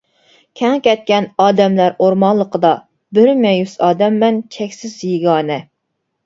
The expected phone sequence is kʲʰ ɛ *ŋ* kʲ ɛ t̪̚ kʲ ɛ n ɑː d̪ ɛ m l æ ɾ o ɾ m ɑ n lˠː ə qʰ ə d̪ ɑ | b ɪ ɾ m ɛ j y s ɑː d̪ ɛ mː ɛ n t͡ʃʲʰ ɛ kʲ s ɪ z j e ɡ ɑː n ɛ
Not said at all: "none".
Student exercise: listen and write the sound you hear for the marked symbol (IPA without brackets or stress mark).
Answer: ŋ